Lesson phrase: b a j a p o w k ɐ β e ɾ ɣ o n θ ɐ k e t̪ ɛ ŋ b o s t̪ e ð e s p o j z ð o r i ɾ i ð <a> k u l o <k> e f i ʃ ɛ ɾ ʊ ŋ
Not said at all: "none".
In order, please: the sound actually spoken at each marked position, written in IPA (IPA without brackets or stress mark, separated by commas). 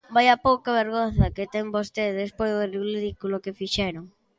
i, k